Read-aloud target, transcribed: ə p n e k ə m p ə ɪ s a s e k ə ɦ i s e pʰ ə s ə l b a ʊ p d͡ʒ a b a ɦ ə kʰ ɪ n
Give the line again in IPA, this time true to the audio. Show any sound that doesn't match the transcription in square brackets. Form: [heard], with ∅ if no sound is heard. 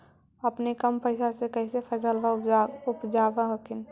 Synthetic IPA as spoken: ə p n e k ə m p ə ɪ s a s e k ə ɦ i s e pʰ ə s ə l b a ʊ p d͡ʒ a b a ɦ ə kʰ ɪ n